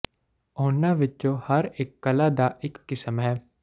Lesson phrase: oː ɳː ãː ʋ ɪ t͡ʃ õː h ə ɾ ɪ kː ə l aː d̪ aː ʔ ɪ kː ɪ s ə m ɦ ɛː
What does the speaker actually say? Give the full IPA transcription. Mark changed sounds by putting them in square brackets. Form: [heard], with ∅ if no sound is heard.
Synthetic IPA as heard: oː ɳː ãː ʋ ɪ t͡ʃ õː h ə ɾ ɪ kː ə l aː d̪ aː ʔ ɪ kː ɪ s ə m ɦ ɛː